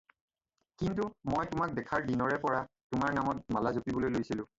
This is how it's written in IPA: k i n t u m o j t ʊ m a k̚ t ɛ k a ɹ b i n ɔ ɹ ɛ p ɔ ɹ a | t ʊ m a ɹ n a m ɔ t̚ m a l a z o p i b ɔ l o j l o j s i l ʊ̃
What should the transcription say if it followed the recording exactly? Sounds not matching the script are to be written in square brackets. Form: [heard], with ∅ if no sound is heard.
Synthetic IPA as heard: k i n t u m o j t ʊ m a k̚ [d] ɛ [kʰ] a ɹ [d] i n ɔ ɹ ɛ p ɔ ɹ a | t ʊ m a ɹ n a m ɔ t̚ m a l a z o p i b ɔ l o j l o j s i l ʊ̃